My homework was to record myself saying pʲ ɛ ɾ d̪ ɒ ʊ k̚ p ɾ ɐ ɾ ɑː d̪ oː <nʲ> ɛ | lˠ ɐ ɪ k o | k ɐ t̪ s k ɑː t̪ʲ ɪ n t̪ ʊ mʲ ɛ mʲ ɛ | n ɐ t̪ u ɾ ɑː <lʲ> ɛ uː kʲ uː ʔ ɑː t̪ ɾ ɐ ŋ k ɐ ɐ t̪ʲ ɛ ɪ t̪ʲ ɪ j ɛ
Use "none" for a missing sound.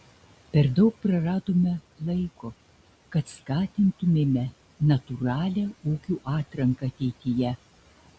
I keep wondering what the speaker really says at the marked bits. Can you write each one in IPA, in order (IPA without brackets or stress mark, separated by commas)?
mʲ, lʲ